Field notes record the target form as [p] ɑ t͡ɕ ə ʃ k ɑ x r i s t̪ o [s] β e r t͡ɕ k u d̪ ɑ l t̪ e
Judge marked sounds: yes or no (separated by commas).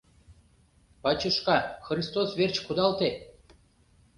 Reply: yes, yes